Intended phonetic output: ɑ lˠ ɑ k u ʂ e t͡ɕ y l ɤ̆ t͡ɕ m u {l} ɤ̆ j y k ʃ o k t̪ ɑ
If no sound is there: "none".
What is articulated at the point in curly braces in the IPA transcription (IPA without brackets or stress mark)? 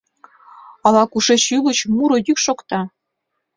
ɾ